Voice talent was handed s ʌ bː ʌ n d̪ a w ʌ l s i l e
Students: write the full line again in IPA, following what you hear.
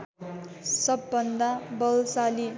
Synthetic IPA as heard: s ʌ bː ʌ n d̪ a b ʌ l s a l i